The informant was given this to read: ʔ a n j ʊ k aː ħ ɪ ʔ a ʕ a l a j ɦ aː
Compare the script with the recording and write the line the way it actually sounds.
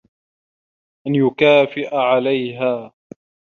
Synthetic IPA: ʔ a n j ʊ k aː f ɪ ʔ a ʕ a l a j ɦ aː